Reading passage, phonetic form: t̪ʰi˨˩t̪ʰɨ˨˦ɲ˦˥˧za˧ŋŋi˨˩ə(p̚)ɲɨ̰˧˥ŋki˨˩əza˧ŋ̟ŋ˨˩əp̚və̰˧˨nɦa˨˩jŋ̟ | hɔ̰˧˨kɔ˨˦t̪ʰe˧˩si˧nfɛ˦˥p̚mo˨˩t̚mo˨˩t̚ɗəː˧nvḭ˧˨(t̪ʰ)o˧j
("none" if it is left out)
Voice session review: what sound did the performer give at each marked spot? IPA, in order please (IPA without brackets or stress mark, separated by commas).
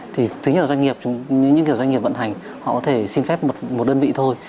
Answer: p̚, t̪ʰ